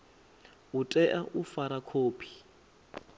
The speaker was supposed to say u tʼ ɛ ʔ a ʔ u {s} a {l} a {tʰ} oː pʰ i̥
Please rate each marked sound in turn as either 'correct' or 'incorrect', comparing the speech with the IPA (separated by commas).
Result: incorrect, incorrect, incorrect